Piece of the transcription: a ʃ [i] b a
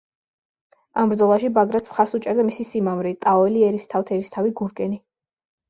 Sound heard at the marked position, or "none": i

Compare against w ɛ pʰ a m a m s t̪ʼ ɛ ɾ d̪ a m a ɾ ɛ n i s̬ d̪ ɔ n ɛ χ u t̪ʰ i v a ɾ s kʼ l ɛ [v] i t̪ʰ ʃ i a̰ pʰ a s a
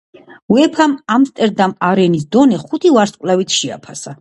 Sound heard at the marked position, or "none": v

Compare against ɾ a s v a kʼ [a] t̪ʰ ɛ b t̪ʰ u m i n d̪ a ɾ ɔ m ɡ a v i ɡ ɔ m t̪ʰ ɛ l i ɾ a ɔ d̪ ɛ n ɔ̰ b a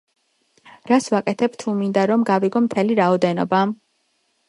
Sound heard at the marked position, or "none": ɛ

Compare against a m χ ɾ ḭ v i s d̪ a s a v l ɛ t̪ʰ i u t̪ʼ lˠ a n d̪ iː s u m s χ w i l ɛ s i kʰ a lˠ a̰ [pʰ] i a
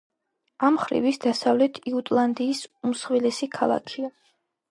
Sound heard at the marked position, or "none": kʰ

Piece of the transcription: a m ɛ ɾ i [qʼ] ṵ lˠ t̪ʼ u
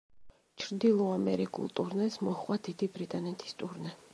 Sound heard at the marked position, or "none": kʼ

